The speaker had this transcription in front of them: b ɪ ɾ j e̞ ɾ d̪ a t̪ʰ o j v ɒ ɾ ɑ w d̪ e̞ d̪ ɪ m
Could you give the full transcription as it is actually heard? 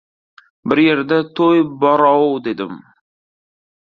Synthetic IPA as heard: b ɪ ɾ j e̞ ɾ d̪ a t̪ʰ o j b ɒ ɾ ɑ w d̪ e̞ d̪ ɪ m